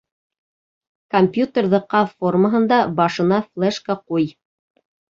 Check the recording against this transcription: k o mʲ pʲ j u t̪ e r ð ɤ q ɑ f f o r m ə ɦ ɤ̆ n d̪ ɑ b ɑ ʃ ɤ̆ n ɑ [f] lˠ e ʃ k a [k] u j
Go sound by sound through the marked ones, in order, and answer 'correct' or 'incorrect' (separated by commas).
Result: correct, incorrect